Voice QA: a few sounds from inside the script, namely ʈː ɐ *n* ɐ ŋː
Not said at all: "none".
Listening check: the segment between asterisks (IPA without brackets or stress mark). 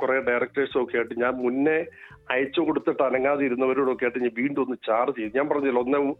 n